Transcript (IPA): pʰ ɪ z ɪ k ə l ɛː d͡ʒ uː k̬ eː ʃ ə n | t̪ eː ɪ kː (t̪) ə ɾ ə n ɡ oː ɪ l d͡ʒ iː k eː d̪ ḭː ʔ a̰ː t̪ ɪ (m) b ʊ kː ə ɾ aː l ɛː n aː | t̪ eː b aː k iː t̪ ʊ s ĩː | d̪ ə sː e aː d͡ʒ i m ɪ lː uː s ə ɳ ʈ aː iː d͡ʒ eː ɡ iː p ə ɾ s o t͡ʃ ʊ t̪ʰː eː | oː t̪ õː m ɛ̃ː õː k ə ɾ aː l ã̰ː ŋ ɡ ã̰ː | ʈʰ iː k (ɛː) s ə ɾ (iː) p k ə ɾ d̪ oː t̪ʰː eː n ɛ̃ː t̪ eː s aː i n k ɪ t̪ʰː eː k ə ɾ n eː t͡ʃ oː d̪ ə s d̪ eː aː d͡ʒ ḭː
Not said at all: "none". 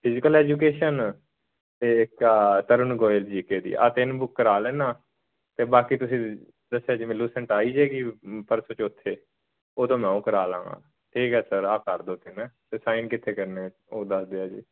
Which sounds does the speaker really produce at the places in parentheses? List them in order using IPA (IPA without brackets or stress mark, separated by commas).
t̪, n, ɛː, aː